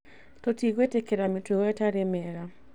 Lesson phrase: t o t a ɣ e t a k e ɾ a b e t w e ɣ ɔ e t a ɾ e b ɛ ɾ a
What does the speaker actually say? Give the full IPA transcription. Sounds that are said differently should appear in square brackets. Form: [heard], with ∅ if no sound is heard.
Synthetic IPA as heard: t o t [i] ɣ e t [e] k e ɾ a [m] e t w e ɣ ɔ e t a ɾ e [m] ɛ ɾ a